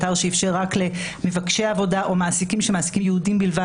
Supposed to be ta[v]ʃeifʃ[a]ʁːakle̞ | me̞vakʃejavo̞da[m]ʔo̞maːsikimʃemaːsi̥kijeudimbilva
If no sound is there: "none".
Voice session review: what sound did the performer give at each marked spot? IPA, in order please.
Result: ʁ, e, none

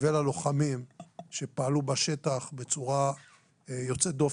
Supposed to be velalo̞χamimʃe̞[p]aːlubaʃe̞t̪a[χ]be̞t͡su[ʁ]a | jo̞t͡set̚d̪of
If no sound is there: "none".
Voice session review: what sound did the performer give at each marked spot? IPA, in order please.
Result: p, χ, ʁ

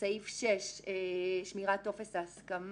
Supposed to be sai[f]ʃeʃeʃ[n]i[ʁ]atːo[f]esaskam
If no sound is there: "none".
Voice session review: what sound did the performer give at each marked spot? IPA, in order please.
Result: f, m, ʁ, f

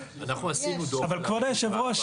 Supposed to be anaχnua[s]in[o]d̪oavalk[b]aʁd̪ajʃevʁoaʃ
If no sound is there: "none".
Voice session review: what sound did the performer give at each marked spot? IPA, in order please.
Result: s, u, v

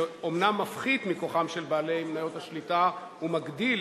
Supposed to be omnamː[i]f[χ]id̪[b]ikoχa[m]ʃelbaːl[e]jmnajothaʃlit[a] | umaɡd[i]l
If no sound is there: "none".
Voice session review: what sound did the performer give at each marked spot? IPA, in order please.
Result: a, χ, m, m, e, a, i

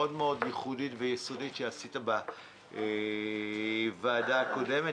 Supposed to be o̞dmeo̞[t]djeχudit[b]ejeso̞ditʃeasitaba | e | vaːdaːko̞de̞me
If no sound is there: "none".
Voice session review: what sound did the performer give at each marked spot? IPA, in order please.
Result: none, v

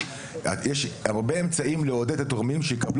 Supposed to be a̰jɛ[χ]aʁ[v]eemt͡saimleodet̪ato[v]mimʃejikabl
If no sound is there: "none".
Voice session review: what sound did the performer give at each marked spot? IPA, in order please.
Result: ʃ, b, ʁ

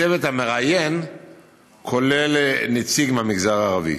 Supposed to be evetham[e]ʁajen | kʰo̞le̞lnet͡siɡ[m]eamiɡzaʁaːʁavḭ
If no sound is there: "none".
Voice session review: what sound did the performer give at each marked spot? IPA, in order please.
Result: e, m

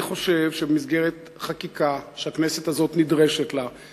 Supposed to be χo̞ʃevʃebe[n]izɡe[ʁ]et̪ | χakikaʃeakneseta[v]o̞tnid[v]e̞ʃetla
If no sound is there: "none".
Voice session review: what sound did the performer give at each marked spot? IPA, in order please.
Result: m, ʁ, z, ʁ

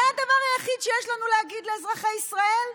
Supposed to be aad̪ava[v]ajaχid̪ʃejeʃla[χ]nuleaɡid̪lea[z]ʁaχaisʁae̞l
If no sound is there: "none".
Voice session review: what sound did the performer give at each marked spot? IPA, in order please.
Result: ʁ, none, z

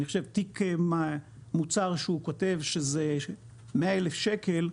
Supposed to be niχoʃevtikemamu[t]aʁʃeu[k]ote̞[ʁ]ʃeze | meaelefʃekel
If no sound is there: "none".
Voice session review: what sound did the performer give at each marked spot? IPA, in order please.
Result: t͡s, k, v

